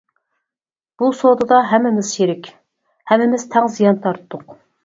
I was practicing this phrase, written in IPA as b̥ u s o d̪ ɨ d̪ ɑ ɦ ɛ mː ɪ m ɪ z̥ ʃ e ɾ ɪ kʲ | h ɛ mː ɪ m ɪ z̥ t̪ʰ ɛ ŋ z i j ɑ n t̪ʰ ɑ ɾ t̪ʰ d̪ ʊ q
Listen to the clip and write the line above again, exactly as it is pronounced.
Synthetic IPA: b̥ u s o d̪ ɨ d̪ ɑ ɦ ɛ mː ɪ m ɪ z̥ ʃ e ɾ ɪ kʲ | h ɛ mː ɪ m ɪ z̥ t̪ʰ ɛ ŋ z i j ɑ n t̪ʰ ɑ ɾ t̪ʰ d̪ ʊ q